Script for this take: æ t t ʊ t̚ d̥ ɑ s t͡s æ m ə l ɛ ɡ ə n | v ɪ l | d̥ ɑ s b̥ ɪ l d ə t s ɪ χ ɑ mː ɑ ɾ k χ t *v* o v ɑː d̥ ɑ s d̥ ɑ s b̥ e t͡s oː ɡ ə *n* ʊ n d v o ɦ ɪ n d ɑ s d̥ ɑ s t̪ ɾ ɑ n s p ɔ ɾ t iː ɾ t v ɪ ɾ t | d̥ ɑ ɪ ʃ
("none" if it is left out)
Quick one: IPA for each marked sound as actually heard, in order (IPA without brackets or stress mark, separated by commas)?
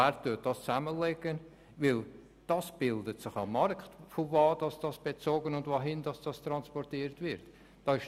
f, n